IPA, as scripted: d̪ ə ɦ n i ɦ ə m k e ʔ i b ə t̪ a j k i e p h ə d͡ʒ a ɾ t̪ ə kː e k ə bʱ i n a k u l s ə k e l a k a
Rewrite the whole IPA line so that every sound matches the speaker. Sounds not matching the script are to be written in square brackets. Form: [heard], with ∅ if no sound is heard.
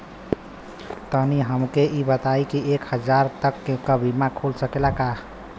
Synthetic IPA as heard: [t̪] ə ɦ n i ɦ ə m k e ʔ i b ə t̪ a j k i e [k] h ə d͡ʒ a ɾ t̪ ə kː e k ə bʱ i [m] a [kʰ] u l s ə k e l a k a